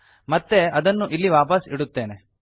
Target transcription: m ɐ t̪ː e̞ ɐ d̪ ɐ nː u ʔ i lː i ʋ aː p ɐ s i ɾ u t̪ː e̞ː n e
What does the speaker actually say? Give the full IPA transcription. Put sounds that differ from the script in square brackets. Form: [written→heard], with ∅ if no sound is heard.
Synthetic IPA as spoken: m ɐ t̪ː e̞ ɐ d̪ ɐ nː u ʔ i lː i ʋ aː p ɐ s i [ɾ→ɽ] u t̪ː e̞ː n e